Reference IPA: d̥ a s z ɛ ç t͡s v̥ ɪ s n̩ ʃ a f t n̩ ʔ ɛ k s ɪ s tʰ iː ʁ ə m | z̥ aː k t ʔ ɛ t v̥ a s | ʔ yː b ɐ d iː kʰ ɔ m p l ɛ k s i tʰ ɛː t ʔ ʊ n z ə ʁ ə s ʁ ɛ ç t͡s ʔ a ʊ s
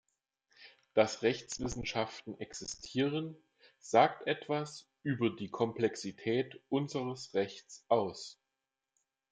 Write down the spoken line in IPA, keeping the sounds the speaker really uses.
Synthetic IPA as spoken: d̥ a s ʁ ɛ ç t͡s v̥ ɪ s n̩ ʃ a f t n̩ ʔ ɛ k s ɪ s tʰ iː ʁ ə n | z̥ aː k t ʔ ɛ t v̥ a s | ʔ yː b ɐ d iː kʰ ɔ m p l ɛ k s i tʰ ɛː t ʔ ʊ n z ə ʁ ə s ʁ ɛ ç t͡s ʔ a ʊ s

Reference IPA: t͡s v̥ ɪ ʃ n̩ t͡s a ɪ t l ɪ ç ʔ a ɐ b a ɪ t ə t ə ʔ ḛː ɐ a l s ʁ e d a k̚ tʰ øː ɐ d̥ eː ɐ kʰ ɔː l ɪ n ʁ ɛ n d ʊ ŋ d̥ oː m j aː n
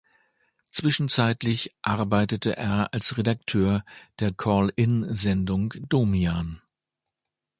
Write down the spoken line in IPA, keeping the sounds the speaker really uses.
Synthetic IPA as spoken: t͡s v̥ ɪ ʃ n̩ t͡s a ɪ t l ɪ ç ʔ a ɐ b a ɪ t ə t ə ʔ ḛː ɐ a l s ʁ e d a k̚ tʰ øː ɐ d̥ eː ɐ kʰ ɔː l ɪ n z ɛ n d ʊ ŋ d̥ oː m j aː n

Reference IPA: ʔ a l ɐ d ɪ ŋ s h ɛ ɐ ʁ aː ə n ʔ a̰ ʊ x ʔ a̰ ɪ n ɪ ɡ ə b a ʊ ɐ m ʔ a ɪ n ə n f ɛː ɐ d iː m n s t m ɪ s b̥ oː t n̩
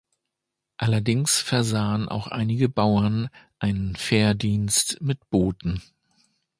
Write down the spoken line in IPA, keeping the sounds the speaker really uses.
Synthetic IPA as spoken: ʔ a l ɐ d ɪ ŋ s f ɛ ɐ z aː ə n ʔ a̰ ʊ x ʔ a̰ ɪ n ɪ ɡ ə b a ʊ ɐ n ʔ a ɪ n ə n f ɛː ɐ d iː n s t m ɪ t b̥ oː t n̩

